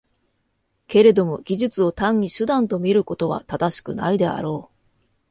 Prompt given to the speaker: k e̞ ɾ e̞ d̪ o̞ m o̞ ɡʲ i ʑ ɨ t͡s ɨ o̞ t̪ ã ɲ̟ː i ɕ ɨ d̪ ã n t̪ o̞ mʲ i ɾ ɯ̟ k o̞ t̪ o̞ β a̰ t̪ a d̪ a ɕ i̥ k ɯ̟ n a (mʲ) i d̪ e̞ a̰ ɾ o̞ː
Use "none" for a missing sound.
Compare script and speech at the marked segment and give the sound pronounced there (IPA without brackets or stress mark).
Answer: none